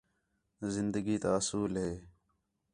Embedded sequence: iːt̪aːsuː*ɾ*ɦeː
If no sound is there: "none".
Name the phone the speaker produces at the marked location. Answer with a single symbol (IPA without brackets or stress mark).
l